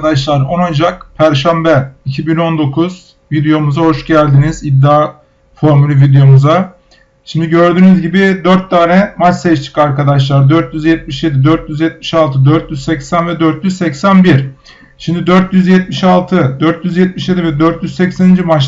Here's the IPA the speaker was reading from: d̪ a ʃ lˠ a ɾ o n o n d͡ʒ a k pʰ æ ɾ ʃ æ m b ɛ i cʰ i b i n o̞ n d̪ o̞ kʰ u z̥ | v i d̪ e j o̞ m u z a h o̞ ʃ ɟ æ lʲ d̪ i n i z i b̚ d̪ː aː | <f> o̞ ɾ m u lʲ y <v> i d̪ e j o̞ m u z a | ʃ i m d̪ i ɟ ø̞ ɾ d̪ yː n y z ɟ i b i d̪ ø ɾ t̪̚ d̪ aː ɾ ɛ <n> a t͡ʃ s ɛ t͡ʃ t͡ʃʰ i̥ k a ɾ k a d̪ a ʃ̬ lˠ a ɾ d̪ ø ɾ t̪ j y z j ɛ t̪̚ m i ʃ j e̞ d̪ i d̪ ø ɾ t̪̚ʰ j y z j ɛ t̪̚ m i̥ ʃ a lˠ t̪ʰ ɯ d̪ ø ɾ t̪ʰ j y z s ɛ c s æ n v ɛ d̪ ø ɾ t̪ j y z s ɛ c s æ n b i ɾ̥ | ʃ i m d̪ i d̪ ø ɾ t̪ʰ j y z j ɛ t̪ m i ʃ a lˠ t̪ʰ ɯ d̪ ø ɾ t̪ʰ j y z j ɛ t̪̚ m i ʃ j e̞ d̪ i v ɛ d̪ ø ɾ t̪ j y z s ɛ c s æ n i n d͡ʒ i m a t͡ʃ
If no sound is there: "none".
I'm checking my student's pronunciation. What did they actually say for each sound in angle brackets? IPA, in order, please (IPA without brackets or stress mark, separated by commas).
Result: f, v, m